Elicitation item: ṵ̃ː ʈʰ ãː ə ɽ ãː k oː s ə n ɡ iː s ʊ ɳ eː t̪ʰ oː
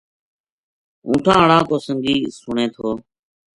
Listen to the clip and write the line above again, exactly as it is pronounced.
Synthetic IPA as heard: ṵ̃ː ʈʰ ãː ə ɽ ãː k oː s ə ŋ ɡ iː s ʊ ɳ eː t̪ʰ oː